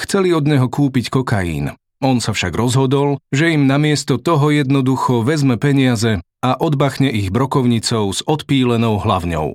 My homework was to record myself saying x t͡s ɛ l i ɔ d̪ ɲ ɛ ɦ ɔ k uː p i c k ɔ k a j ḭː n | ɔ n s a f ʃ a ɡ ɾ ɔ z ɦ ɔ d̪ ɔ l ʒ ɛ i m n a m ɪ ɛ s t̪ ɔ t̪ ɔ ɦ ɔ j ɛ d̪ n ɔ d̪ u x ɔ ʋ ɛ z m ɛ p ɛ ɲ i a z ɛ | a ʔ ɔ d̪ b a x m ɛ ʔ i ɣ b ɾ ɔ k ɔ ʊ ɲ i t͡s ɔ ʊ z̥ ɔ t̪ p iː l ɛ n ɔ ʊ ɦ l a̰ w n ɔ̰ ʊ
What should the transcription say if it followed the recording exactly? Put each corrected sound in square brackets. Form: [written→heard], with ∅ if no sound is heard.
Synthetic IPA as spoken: x t͡s ɛ l i ɔ d̪ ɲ ɛ ɦ ɔ k uː p i c k ɔ k a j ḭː n | ɔ n s a f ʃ a ɡ ɾ ɔ z ɦ ɔ d̪ ɔ l ʒ ɛ i m n a m ɪ ɛ s t̪ ɔ t̪ ɔ ɦ ɔ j ɛ d̪ n ɔ d̪ u x ɔ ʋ ɛ z m ɛ p ɛ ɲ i a z ɛ | a ʔ ɔ d̪ b a x [m→ɲ] ɛ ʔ i ɣ b ɾ ɔ k ɔ ʊ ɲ i t͡s ɔ ʊ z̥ ɔ t̪ p iː l ɛ n ɔ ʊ ɦ l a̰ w [n→ɲ] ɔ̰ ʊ